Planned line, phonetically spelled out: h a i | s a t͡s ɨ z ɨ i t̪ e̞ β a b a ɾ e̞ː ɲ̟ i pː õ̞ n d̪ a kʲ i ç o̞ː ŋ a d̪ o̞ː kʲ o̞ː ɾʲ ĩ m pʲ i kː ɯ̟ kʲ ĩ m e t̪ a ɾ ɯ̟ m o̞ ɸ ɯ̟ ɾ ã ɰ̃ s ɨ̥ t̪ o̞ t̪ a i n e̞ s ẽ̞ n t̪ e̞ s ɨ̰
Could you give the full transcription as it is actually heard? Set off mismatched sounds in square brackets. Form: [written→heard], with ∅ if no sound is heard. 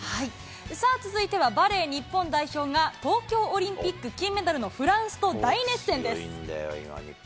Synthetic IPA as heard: h a i | s a t͡s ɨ z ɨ i t̪ e̞ β a b a ɾ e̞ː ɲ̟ i pː õ̞ n d̪ a [kʲ→∅] i ç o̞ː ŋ a [d̪→t̪] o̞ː kʲ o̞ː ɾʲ ĩ m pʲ i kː ɯ̟ kʲ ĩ m e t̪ a ɾ ɯ̟ [m→n] o̞ ɸ ɯ̟ ɾ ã ɰ̃ s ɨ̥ t̪ o̞ [t̪→d̪] a i n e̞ s ẽ̞ n [t̪→d̪] e̞ s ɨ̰